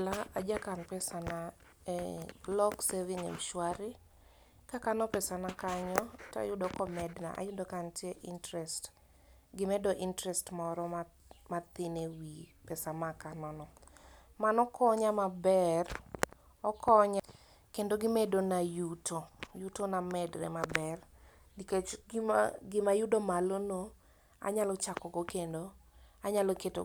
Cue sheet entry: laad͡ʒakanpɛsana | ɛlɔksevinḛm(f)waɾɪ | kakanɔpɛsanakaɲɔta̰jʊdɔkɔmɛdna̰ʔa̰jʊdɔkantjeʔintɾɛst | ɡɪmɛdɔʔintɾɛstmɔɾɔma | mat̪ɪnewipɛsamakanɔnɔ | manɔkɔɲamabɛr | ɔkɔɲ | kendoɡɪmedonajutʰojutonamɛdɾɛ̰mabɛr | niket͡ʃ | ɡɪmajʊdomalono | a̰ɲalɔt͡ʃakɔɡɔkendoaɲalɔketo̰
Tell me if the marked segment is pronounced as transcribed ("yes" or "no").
no